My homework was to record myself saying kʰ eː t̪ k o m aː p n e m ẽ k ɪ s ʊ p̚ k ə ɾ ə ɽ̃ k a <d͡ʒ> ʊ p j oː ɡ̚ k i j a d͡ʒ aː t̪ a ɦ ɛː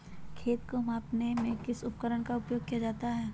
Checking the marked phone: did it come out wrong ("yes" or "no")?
yes